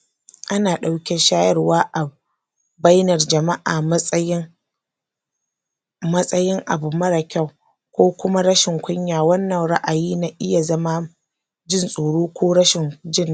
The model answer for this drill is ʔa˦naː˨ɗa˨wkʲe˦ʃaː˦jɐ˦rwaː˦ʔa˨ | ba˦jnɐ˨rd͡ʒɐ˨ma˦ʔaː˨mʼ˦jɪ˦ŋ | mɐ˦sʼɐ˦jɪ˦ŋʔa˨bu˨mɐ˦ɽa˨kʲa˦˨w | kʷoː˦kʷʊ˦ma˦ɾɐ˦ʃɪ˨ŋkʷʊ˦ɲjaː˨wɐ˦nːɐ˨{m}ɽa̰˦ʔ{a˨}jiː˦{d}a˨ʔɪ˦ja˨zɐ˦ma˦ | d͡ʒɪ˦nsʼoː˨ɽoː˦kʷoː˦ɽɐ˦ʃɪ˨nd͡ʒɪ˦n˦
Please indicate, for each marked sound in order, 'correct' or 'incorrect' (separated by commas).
incorrect, correct, incorrect